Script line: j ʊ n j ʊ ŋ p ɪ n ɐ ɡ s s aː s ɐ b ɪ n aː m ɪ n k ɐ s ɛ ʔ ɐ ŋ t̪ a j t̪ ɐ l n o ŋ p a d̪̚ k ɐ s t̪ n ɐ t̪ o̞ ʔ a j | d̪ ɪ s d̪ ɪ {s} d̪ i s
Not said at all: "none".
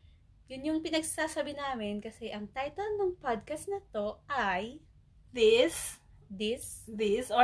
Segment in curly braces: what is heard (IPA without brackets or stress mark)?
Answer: s